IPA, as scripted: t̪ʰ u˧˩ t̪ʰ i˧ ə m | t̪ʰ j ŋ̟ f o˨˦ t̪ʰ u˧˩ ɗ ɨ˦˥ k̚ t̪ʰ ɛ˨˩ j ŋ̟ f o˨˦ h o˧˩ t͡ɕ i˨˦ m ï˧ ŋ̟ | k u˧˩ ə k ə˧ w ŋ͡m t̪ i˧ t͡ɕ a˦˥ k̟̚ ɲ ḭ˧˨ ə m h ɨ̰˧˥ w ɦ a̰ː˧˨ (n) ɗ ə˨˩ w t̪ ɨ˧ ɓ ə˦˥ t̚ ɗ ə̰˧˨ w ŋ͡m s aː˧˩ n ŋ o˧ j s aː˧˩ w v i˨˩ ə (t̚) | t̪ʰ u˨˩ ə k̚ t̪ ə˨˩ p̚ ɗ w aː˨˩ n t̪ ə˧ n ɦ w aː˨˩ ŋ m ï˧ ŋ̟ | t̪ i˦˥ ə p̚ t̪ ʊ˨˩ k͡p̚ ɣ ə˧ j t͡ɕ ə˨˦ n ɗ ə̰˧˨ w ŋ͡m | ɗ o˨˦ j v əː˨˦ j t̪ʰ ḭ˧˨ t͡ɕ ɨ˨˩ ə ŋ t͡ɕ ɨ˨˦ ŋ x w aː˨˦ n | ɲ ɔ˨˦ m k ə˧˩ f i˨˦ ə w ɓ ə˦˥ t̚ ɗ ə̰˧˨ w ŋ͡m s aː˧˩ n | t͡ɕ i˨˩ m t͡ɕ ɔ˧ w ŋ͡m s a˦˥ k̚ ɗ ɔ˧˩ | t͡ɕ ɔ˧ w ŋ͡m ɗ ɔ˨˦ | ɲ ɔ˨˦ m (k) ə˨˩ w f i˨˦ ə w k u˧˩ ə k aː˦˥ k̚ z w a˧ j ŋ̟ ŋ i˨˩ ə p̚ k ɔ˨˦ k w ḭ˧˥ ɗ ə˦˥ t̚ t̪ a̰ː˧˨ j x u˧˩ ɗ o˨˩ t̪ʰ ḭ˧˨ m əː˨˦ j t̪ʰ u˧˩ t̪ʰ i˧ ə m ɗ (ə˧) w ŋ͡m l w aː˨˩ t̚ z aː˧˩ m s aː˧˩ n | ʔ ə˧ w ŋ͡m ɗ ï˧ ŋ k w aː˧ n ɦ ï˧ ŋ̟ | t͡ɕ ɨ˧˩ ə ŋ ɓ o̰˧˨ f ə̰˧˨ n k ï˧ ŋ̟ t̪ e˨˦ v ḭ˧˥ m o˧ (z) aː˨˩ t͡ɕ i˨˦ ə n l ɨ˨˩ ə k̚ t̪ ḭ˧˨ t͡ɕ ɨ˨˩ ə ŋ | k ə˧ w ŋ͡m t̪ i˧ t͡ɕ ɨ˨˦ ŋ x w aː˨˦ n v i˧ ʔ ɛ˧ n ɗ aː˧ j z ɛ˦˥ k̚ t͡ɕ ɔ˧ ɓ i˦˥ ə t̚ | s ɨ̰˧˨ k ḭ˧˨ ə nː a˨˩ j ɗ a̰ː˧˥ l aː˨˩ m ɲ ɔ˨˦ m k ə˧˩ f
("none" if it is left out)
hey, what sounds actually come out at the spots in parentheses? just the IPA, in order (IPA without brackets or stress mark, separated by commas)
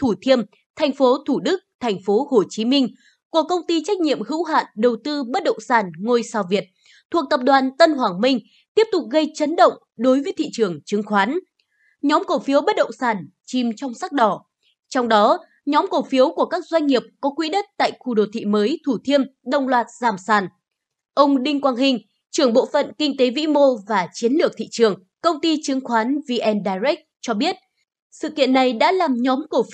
n, t̚, k, ə˧, v